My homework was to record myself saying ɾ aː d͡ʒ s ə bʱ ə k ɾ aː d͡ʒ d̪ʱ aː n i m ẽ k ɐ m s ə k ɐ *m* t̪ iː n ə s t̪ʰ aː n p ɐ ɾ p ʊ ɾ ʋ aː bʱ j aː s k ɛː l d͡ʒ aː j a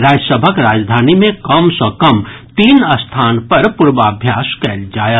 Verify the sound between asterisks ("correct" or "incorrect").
correct